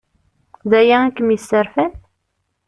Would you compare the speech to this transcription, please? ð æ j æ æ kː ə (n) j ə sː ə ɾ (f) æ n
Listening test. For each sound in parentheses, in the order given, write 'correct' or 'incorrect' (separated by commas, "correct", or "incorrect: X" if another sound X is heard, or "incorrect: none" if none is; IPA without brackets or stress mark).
incorrect: m, correct